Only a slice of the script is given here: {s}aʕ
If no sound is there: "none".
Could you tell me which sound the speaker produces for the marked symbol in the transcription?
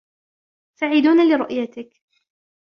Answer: s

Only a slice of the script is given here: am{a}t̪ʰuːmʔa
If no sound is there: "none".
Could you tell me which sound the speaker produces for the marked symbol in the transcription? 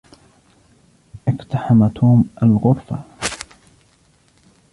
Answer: a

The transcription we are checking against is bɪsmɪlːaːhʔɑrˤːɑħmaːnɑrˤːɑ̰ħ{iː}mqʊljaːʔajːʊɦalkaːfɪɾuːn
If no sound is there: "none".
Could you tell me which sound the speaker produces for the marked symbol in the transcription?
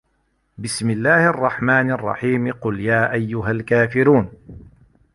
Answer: iː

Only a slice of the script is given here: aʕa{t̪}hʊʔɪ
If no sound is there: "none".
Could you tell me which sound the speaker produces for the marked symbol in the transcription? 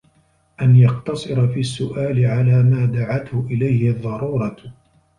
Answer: t̪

